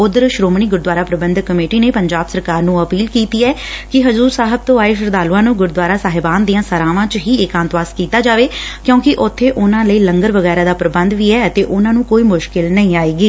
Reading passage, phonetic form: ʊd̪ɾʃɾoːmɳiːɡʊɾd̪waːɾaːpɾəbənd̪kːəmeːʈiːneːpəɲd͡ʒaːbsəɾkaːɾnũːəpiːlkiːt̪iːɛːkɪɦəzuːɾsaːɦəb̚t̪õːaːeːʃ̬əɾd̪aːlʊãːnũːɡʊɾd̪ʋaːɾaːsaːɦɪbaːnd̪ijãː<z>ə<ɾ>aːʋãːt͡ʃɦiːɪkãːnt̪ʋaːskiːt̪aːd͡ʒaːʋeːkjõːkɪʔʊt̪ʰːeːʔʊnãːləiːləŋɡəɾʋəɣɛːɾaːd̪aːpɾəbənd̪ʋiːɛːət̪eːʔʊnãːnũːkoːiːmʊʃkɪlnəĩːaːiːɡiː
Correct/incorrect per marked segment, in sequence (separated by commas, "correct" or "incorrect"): incorrect, correct